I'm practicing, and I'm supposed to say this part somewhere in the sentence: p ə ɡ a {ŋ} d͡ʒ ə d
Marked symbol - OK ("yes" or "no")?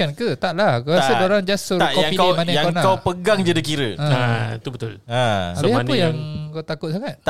yes